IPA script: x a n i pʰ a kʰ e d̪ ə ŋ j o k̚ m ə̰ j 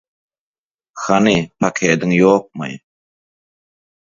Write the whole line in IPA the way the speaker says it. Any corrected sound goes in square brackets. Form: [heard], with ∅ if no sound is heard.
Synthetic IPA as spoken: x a n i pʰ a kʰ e d̪ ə ŋ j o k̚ m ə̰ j